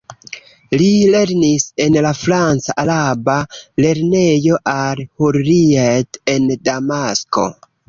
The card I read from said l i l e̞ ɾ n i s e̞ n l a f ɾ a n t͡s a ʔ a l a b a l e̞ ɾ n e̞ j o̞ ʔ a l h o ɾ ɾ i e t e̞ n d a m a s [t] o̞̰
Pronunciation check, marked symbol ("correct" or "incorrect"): incorrect